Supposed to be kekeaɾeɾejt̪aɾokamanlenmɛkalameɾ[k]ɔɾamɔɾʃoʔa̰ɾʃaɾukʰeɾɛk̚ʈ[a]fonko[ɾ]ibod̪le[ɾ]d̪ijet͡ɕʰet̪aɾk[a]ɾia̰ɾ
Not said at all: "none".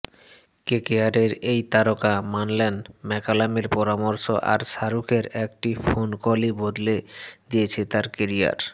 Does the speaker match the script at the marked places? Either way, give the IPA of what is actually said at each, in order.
p, i, l, none, e

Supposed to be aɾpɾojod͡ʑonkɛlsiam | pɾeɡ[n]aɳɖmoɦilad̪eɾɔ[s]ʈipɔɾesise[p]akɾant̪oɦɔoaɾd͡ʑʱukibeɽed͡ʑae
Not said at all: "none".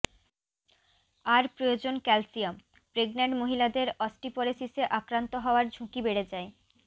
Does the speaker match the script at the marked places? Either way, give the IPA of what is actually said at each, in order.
n, s, ʔ

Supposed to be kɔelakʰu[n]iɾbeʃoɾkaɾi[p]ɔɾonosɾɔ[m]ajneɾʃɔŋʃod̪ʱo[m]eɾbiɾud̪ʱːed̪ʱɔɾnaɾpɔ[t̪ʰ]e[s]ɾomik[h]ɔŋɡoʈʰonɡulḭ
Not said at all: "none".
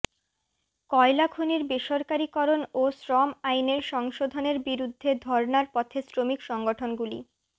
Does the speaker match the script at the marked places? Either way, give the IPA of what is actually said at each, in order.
n, k, m, n, t̪ʰ, s, ʃ

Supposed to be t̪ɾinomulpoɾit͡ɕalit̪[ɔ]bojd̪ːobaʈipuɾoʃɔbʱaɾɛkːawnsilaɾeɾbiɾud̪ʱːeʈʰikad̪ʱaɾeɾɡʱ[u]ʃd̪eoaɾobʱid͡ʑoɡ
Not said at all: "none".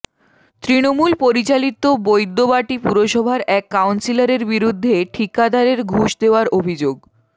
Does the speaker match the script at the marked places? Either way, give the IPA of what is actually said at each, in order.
o, u

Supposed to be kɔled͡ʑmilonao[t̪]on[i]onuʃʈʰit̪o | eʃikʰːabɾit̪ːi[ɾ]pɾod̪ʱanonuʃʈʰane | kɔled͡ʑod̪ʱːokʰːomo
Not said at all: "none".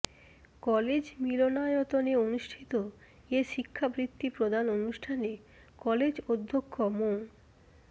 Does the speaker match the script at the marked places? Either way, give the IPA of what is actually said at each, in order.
t̪, e, none

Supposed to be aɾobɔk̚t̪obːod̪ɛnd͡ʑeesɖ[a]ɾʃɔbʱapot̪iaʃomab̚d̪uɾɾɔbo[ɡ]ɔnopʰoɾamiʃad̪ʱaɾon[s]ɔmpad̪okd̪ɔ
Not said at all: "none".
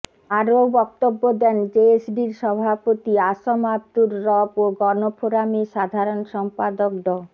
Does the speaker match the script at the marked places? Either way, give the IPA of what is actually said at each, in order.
i, ɡ, ʃ

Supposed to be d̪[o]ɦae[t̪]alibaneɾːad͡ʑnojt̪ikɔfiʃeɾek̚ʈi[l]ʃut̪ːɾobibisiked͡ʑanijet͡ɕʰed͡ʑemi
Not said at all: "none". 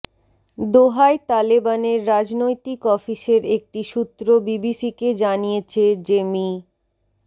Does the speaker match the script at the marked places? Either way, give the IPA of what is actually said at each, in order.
o, t̪, none

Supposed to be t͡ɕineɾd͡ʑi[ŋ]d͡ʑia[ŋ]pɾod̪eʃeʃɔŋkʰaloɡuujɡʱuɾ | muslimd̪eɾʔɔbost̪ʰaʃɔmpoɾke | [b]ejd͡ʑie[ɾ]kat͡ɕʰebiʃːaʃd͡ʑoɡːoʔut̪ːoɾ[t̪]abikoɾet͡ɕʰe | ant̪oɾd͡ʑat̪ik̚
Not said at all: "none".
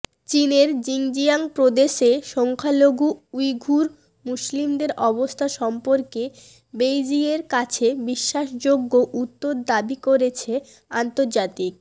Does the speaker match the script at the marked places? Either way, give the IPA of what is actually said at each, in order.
ŋ, ŋ, b, ɾ, d̪

